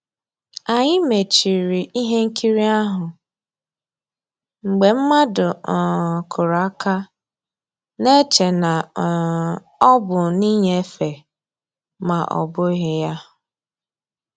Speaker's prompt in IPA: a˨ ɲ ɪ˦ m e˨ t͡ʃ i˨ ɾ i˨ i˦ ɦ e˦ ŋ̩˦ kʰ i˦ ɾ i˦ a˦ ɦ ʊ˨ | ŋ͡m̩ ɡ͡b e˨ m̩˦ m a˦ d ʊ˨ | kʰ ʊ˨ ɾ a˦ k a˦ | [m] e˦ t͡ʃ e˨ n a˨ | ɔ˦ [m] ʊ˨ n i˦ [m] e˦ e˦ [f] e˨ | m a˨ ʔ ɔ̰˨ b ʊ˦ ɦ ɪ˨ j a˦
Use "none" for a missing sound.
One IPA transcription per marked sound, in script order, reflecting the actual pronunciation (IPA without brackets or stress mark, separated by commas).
n, b, ɲ, f